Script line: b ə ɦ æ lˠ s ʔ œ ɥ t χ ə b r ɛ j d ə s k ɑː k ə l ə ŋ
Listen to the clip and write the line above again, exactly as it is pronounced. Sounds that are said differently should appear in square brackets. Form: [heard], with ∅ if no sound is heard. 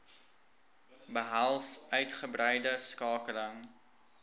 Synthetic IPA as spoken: b ə ɦ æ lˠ s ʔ œ ɥ t χ ə b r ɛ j d ə s k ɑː k ə l ə ŋ